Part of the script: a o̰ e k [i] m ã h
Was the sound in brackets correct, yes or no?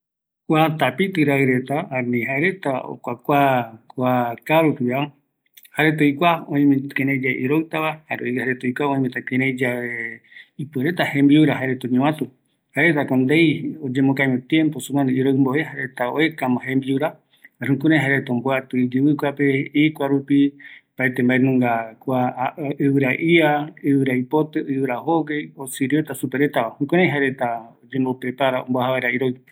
no